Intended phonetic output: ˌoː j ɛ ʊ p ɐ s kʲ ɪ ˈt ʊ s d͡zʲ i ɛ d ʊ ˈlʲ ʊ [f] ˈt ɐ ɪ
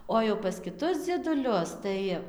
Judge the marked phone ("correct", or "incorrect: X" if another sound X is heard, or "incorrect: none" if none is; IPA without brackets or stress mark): incorrect: s